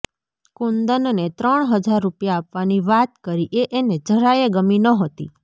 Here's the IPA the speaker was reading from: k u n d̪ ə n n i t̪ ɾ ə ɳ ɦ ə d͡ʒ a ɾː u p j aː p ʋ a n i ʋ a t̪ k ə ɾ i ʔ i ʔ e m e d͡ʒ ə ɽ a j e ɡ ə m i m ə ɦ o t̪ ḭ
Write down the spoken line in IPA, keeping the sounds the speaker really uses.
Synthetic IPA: k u n d̪ ə n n e t̪ ɾ ə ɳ ɦ ə d͡ʒ a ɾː u p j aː p ʋ a n i ʋ a t̪ k ə ɾ i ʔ e ʔ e n e d͡ʒ ə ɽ a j e ɡ ə m i n ə ɦ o t̪ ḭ